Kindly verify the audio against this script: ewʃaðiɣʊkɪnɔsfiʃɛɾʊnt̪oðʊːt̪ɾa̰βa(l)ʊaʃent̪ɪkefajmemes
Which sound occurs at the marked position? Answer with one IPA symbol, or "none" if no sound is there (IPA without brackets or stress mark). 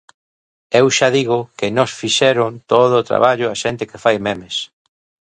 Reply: ʎ